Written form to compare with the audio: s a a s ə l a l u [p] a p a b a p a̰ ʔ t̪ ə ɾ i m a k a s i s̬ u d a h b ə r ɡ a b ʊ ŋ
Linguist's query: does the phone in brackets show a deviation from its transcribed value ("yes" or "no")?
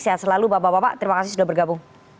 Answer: yes